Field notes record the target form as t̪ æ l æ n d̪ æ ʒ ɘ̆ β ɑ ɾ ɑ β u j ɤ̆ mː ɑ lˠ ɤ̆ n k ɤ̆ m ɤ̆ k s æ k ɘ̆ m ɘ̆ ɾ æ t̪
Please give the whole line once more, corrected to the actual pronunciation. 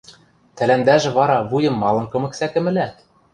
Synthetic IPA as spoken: t̪ æ l æ n d̪ æ ʒ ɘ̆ β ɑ ɾ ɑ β u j ɤ̆ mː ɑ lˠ ɤ̆ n k ɤ̆ m ɤ̆ k s æ k ɘ̆ m ɘ̆ l æ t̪

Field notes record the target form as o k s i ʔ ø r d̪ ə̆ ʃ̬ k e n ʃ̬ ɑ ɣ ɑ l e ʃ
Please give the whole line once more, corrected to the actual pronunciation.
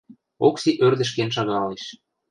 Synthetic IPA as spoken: o k s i ʔ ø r d̪ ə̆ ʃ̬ k e n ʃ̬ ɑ ɣ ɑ l e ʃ

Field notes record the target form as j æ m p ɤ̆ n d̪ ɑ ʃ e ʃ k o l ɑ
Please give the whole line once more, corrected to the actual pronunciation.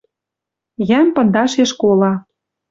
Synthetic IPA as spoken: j æ m p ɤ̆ n d̪ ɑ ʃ e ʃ k o l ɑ

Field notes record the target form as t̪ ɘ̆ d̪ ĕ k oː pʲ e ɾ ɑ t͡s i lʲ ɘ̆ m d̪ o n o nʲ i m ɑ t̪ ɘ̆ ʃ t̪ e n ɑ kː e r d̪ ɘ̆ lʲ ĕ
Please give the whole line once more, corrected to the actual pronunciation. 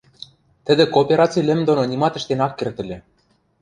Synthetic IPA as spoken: t̪ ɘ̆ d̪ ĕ k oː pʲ e ɾ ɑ t͡s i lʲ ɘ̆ m d̪ o n o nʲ i m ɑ t̪ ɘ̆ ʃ t̪ e n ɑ kː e r t̪ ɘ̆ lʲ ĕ

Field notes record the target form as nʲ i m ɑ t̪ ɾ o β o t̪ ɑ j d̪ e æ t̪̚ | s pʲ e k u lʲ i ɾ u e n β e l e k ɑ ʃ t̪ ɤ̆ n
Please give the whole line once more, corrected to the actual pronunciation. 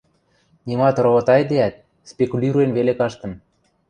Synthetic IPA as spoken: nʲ i m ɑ t̪ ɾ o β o t̪ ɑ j d̪ e æ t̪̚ | s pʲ e k u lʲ i ɾ u e n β e l e k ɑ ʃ t̪ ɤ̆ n

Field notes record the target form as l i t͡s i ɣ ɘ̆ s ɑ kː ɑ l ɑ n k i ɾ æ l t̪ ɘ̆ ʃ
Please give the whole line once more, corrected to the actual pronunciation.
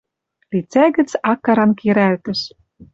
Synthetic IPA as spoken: l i t͡s æ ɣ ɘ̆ t͡s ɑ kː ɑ ɾ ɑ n k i ɾ æ l t̪ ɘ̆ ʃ

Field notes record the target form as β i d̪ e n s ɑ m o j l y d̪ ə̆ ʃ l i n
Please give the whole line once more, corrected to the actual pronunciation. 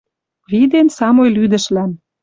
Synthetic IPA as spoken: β i d̪ e n s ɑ m o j l y d̪ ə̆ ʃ l æ n

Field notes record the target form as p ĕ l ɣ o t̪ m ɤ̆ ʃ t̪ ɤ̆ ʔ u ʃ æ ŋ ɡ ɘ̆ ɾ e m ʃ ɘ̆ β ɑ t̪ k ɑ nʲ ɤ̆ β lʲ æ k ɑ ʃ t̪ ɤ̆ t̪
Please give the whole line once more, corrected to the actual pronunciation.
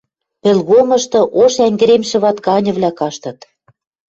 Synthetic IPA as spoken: p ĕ l ɣ o m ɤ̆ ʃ t̪ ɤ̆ ʔ o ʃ æ ŋ ɡ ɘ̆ ɾ e m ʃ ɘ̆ β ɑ t̪ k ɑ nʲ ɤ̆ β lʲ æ k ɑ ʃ t̪ ɤ̆ t̪

